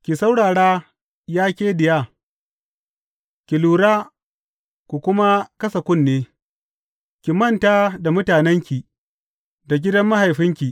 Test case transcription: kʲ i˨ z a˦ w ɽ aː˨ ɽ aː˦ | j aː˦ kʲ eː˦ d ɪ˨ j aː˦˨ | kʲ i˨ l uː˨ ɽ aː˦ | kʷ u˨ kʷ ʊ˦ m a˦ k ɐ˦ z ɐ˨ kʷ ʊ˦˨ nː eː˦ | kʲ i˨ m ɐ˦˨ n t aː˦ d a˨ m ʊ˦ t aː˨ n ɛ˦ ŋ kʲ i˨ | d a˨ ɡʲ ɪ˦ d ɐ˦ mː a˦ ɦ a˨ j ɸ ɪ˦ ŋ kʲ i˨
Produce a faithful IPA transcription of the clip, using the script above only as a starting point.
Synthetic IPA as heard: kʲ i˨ s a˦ w ɽ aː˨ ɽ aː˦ | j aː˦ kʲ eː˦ d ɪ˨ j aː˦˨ | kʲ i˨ l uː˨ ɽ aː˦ | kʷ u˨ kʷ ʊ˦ m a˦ k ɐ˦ s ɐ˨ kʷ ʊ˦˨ nː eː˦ | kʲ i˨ m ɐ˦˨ n t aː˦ d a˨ m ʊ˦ t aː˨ n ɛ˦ ŋ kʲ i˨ | d a˨ ɡʲ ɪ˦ d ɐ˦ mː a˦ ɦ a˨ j ɸ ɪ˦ ŋ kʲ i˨